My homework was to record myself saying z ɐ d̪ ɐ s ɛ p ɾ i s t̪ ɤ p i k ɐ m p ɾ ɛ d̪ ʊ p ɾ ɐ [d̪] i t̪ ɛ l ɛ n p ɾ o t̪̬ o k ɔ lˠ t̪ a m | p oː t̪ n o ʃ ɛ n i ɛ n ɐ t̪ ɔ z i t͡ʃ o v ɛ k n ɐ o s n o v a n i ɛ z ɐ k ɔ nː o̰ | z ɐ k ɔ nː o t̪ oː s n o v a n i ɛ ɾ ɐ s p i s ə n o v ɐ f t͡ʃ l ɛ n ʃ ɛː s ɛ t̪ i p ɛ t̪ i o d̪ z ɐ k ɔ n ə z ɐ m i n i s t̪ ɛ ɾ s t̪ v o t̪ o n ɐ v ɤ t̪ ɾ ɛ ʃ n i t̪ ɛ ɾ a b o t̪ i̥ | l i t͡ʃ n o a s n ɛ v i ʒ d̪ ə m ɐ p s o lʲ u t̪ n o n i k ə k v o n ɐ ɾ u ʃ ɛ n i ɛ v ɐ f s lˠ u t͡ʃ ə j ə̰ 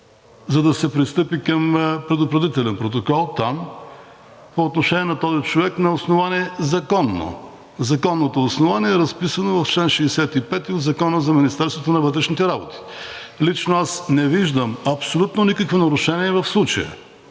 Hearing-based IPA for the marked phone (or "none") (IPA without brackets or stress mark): d̪